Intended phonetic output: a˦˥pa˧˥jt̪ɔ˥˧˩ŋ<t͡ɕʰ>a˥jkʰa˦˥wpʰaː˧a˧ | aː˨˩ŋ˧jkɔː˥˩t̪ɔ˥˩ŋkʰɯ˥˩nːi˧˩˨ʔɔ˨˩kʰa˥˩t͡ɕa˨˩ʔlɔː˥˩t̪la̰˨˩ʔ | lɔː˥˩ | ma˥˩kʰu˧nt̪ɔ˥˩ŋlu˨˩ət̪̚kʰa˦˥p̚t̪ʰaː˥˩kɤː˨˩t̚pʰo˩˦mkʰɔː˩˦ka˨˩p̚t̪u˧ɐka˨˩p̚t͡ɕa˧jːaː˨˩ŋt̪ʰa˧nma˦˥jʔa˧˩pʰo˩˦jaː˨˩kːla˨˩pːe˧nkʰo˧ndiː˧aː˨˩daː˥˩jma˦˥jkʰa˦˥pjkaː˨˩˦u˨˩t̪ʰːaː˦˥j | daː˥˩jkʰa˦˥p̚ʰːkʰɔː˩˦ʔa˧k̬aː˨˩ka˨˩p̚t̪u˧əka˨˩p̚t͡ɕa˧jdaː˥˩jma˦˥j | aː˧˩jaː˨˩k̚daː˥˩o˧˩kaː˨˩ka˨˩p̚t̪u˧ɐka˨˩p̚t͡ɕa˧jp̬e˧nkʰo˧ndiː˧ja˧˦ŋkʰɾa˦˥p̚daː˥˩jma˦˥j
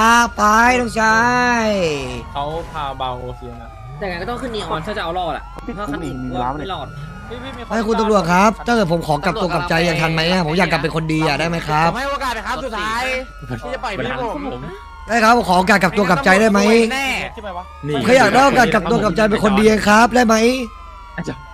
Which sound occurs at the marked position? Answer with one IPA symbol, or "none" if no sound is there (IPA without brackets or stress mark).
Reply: t͡ɕʰ